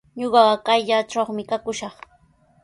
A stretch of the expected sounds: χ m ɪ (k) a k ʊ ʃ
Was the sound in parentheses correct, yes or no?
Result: yes